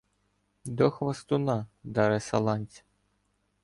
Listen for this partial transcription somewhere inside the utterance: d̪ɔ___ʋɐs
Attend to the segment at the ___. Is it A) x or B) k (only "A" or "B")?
A